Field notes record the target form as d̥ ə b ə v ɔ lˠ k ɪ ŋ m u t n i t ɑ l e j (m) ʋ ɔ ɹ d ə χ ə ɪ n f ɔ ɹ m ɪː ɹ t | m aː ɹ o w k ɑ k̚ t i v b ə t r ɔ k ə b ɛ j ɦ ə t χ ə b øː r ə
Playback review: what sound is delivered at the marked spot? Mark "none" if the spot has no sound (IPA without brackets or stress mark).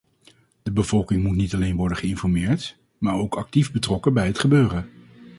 n